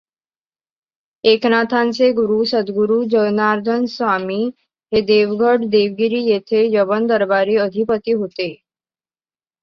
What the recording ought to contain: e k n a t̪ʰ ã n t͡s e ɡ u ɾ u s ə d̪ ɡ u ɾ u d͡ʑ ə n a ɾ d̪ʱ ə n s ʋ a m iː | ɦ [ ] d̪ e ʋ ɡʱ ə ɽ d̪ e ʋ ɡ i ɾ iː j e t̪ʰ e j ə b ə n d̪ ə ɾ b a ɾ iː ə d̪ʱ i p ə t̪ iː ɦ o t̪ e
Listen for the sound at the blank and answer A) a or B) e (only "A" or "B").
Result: B